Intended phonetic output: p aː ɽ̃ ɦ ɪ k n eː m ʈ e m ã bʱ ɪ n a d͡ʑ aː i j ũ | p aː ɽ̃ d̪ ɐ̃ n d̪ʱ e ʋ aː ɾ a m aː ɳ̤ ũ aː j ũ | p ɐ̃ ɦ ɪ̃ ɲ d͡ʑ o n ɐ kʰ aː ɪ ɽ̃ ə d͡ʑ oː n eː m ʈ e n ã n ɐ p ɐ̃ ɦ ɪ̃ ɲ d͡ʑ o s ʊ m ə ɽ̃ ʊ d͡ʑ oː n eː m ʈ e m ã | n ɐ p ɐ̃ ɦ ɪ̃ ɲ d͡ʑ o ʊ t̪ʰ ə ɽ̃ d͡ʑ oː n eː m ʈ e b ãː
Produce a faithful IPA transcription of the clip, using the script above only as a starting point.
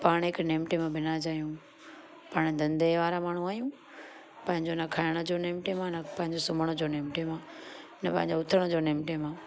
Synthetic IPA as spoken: p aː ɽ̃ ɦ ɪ k n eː m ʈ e m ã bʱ ɪ n a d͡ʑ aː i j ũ | p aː ɽ̃ d̪ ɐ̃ n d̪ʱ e ʋ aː ɾ a m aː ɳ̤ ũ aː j ũ | p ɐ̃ ɦ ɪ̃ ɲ d͡ʑ o n ɐ kʰ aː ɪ ɽ̃ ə d͡ʑ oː n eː m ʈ e m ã n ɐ p ɐ̃ ɦ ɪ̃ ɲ d͡ʑ o s ʊ m ə ɽ̃ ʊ d͡ʑ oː n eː m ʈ e m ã | n ɐ p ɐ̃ ɦ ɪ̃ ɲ d͡ʑ o ʊ t̪ʰ ə ɽ̃ d͡ʑ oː n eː m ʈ e m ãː